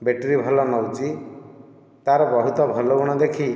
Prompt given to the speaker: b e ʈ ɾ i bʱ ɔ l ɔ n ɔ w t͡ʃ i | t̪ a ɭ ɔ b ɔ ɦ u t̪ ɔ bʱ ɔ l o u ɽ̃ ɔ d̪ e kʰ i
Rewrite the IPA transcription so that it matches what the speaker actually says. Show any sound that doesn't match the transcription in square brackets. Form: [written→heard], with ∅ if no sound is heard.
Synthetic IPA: b e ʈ ɾ i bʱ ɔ l ɔ n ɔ w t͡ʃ i | t̪ a [ɭ→ɾ] ɔ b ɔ ɦ u t̪ ɔ bʱ ɔ l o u ɽ̃ ɔ d̪ e kʰ i

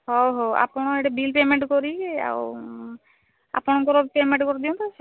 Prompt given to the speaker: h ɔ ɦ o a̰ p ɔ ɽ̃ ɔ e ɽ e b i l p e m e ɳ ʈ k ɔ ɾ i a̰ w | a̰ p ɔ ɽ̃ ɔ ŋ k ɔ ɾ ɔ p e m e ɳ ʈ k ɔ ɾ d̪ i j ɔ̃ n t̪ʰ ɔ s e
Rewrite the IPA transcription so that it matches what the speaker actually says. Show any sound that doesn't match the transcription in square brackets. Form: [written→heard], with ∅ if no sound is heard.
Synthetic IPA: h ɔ ɦ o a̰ p ɔ ɽ̃ ɔ e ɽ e b i l p e m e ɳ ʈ k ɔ ɾ i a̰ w | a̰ p ɔ ɽ̃ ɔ ŋ k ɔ ɾ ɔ p e m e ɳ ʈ k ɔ ɾ d̪ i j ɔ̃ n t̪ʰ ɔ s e

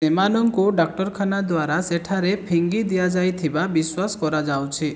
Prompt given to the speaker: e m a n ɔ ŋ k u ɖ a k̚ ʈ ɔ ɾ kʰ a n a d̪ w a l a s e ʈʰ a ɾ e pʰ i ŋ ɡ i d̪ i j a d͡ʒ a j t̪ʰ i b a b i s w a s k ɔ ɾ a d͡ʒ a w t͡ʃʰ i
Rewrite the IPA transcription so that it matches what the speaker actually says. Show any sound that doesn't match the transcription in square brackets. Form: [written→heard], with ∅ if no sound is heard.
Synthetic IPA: e m a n ɔ ŋ k u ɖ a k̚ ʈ ɔ ɾ kʰ a n a d̪ w a [l→ɾ] a s e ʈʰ a ɾ e pʰ i ŋ ɡ i d̪ i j a d͡ʒ a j t̪ʰ i b a b i s w a s k ɔ ɾ a d͡ʒ a w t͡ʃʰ i

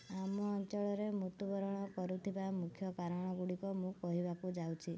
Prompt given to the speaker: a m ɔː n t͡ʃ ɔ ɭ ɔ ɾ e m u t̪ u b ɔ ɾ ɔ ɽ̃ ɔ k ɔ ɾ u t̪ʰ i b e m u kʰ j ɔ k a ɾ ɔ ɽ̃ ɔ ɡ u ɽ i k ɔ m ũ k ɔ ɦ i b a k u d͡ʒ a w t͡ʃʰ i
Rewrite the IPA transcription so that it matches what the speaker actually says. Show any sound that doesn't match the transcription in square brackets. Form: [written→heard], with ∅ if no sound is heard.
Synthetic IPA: a m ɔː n t͡ʃ ɔ ɭ ɔ ɾ e m u t̪ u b ɔ ɾ ɔ ɽ̃ ɔ k ɔ ɾ u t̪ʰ i b [e→a] m u kʰ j ɔ k a ɾ ɔ ɽ̃ ɔ ɡ u ɽ i k ɔ m ũ k ɔ ɦ i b a k u d͡ʒ a w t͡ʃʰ i

